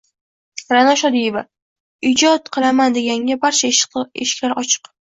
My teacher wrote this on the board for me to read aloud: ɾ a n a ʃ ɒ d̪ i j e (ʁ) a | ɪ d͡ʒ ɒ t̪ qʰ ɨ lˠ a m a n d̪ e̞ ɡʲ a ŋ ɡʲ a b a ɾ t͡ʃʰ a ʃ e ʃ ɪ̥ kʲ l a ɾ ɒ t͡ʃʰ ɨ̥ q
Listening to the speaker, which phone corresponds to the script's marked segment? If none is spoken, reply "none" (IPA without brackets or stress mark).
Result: v